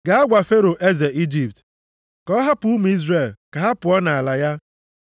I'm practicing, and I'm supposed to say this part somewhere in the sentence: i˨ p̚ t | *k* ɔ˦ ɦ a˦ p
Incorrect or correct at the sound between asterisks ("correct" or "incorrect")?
correct